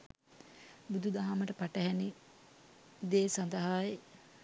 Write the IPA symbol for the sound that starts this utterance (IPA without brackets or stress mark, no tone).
b